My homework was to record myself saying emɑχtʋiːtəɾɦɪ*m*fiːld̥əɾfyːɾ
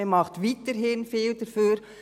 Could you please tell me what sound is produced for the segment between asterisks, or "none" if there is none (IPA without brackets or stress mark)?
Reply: n